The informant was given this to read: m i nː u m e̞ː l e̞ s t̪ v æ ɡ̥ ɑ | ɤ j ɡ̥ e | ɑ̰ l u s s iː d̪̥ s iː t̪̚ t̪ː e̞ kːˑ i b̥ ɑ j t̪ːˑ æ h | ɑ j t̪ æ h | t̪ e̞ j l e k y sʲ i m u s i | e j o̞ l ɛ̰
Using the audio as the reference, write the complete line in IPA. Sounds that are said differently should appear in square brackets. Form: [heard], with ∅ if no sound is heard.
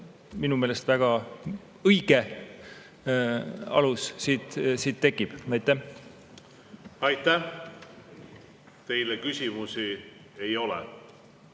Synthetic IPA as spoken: m i [n] u m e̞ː l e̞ s t̪ v æ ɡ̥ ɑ | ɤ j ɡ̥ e | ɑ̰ l u s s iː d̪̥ s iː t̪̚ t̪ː e̞ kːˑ i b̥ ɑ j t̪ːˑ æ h | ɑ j t̪ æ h | t̪ e̞ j l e k y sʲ i m u s i | e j o̞ l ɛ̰

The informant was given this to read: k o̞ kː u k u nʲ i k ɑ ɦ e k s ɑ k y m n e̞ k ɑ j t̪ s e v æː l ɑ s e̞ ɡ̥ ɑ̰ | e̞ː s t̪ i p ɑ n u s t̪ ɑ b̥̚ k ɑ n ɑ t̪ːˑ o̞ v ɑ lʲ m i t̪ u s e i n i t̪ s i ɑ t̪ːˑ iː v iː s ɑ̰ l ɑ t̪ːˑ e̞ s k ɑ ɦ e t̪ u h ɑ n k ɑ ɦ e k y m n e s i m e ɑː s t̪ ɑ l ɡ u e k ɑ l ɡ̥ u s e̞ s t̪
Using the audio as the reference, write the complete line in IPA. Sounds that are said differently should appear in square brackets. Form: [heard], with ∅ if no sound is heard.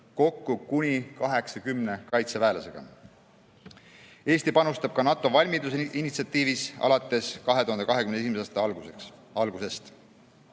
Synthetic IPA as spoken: k o̞ kː u k u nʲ i k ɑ ɦ e k s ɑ k y m n e̞ k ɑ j t̪ s e v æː l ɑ s e̞ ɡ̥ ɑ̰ | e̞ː s t̪ i p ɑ n u s t̪ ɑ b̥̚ k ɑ n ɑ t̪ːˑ o̞ v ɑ lʲ m i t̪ u s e i n i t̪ s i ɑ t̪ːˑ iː v [i] s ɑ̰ l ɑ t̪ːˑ e̞ s k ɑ ɦ e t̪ u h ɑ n k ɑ ɦ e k y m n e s i m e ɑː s t̪ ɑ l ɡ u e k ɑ l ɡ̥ u s e̞ s t̪

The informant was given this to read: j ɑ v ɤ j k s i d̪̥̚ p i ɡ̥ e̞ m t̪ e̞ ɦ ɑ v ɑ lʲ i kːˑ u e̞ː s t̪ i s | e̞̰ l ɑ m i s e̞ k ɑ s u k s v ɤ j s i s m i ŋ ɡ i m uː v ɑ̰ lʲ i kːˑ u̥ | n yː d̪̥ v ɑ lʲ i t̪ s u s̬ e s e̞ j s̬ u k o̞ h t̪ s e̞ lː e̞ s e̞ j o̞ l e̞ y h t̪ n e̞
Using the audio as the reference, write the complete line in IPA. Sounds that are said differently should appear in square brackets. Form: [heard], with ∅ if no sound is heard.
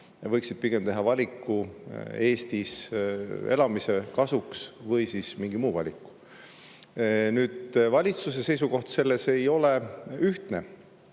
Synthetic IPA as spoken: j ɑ v ɤ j k s i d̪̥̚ p i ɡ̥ e̞ m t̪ e̞ ɦ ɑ v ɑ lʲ i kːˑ u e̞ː s t̪ i s | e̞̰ l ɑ m i s e̞ k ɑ s u k s v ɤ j s i s m i ŋ ɡ i m uː v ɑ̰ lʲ i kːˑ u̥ | n yː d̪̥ v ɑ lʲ i t̪ s u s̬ e s e̞ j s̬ u k o̞ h t̪ s e̞ lː e̞ s e̞ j o̞ l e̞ y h t̪ n e̞

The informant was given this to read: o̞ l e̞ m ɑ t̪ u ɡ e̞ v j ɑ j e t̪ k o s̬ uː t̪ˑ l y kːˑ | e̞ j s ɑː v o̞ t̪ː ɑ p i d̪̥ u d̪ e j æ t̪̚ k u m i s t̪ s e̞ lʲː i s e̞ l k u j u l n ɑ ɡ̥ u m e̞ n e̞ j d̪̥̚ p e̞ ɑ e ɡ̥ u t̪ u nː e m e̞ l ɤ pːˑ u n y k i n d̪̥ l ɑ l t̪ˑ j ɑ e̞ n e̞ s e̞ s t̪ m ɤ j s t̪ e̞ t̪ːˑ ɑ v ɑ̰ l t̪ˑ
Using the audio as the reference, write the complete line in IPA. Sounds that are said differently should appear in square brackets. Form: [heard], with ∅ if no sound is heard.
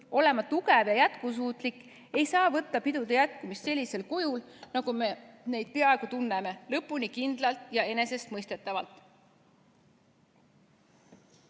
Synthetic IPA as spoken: o̞ l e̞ m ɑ t̪ u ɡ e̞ v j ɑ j [æ] t̪ k [u] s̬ uː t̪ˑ l [i] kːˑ | e̞ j s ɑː v [ɤ̞] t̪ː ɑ p i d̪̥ u d̪ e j æ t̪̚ k u m i s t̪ s e̞ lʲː i s e̞ l k u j u l n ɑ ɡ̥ u m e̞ n e̞ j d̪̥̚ p e̞ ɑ e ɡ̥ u t̪ u nː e m e̞ l ɤ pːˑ u n [i] k i n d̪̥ l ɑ l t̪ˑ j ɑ e̞ n e̞ s e̞ s t̪ m ɤ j s t̪ e̞ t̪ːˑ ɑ v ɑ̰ l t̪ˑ

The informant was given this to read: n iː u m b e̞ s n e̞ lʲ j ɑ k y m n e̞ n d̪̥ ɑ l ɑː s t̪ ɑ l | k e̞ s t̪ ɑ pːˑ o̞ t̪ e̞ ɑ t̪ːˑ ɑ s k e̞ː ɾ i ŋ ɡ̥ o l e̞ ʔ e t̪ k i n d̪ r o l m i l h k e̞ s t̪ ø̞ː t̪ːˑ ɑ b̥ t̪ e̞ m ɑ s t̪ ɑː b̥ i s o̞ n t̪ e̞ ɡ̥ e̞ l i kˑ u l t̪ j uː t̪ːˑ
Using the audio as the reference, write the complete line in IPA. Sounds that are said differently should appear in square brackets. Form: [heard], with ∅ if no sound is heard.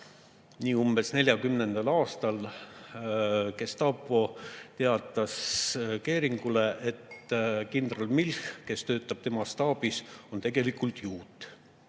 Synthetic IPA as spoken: n iː u m b e̞ s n e̞ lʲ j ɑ k y m n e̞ n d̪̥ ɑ l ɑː s t̪ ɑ l | k e̞ s t̪ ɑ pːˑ o̞ t̪ e̞ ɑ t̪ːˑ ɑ s k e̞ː ɾ i ŋ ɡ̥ [u] l e̞ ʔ e t̪ k i n d̪ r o l m i l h k e̞ s t̪ ø̞ː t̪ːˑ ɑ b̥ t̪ e̞ m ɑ s t̪ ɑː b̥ i s o̞ n t̪ e̞ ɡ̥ e̞ l i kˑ u l t̪ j uː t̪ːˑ

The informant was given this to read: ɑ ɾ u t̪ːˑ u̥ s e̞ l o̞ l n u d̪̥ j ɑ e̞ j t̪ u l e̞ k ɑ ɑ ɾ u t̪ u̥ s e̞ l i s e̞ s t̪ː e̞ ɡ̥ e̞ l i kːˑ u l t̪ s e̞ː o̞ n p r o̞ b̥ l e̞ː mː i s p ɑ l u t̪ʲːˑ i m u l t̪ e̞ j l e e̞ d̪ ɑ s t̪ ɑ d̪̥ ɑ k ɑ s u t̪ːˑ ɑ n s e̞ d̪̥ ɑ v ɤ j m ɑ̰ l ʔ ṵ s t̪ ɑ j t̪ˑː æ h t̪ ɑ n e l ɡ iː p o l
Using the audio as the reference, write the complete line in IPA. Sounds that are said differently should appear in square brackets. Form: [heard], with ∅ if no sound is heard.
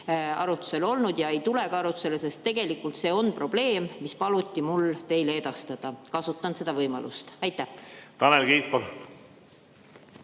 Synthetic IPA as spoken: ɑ ɾ u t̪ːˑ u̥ s e̞ l o̞ l n u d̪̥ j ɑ e̞ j t̪ u l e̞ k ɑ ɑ ɾ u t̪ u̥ s e̞ l [e] s e̞ s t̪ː e̞ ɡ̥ e̞ l i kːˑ u l t̪ s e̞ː o̞ n p r o̞ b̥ l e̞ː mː i s p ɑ l u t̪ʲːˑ i m u l t̪ e̞ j l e e̞ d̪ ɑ s t̪ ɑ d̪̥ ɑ k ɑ s u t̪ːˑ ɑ n s e̞ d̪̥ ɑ v ɤ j m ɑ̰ l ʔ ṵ s t̪ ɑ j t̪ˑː æ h t̪ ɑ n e l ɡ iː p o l

